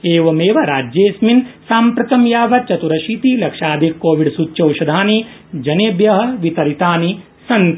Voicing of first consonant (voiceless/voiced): voiced